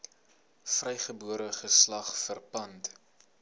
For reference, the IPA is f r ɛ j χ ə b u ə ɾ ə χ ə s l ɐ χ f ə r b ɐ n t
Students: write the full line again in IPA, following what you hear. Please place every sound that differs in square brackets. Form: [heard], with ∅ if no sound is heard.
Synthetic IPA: f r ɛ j χ ə b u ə ɾ ə χ ə s l ɐ χ f ə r [p] ɐ n t